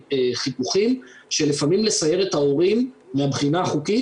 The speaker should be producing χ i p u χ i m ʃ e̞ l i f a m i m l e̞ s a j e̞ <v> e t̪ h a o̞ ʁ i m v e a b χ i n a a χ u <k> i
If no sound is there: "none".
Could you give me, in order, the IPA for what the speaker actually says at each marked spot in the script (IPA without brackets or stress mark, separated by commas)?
ʁ, k